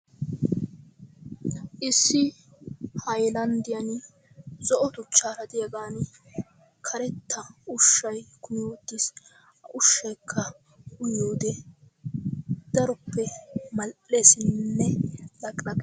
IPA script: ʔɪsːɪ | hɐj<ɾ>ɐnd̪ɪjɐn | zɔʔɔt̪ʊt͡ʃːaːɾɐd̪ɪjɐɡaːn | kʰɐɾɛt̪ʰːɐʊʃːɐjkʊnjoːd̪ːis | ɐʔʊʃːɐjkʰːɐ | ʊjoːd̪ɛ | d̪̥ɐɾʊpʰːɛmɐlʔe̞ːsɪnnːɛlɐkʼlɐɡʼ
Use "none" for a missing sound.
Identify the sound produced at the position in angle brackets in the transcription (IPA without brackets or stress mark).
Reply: l